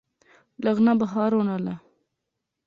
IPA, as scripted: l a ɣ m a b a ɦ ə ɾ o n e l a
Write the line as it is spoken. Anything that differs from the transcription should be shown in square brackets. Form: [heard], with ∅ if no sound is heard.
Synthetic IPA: l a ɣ [n] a b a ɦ [ɑ] ɾ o n [a] l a